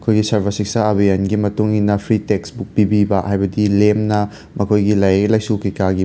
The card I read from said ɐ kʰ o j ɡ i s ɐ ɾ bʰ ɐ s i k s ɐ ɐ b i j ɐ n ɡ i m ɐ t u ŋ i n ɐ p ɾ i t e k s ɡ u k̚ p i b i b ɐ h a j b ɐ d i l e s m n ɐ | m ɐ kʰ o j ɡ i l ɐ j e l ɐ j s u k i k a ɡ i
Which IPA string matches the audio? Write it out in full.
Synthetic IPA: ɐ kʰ o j ɡ i s ɐ ɾ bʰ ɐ s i k s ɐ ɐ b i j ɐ n ɡ i m ɐ t u ŋ i n ɐ pʰ ɾ i t e k s b u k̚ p i b i b ɐ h a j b ɐ d i l e m n ɐ | m ɐ kʰ o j ɡ i l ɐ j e l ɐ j s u k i k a ɡ i